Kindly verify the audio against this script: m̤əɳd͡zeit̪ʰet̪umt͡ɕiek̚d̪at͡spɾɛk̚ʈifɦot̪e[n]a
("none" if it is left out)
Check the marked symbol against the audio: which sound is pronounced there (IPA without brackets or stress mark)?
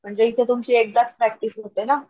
n